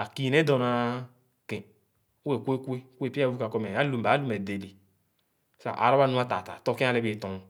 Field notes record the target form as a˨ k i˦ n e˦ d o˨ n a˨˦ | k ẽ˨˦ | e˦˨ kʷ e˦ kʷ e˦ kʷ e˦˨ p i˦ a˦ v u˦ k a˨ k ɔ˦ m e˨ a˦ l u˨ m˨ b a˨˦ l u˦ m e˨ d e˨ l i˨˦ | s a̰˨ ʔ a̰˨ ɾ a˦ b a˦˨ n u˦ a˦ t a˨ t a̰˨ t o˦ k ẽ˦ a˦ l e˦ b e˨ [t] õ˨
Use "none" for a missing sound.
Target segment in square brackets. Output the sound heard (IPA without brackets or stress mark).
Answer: t